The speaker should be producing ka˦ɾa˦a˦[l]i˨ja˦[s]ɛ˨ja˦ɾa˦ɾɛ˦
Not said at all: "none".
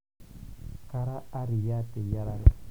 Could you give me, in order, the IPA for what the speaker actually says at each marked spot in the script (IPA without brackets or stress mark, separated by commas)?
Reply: ɾ, t